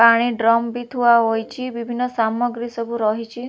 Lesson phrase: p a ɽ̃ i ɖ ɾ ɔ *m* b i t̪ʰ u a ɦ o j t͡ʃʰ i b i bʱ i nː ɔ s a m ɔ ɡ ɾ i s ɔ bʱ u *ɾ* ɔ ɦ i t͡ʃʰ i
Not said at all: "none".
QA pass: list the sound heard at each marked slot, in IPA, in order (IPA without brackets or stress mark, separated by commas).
m, ɾ